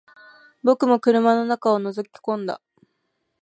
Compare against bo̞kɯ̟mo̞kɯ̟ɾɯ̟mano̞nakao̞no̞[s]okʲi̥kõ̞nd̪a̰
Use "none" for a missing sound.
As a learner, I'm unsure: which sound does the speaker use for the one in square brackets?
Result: z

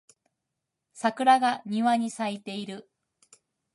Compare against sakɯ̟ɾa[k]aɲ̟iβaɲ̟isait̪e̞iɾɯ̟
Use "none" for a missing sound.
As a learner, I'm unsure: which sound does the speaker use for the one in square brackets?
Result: ɡ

